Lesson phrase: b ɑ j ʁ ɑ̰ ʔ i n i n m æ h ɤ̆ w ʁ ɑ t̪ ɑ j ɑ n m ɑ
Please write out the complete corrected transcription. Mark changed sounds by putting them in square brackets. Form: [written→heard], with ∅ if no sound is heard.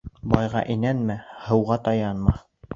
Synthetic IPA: b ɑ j ʁ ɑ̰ ʔ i n [i→æ] n m æ h ɤ̆ w ʁ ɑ t̪ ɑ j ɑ n m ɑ